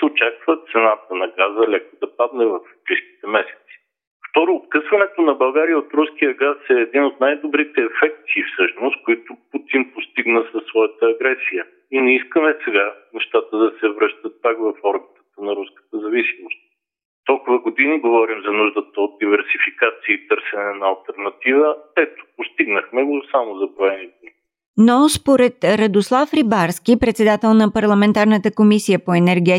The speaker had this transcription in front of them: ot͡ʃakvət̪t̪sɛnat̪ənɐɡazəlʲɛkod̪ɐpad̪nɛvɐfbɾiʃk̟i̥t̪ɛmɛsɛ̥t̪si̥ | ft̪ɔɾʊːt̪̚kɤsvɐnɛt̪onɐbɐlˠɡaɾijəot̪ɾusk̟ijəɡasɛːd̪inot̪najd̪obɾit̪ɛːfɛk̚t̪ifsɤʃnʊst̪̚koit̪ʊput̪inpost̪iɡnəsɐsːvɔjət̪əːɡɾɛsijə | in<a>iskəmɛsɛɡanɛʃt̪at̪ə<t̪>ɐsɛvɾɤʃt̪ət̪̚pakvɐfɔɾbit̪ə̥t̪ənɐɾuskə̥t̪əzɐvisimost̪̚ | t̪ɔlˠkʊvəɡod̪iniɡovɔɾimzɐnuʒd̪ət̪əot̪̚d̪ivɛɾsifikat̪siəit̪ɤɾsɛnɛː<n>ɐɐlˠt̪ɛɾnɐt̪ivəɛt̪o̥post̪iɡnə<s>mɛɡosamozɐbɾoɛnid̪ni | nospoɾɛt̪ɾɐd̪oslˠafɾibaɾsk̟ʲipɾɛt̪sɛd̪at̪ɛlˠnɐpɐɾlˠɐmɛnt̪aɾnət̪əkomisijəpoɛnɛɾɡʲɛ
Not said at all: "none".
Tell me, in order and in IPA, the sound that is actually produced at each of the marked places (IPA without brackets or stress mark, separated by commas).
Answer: ɛ, d̪, n, x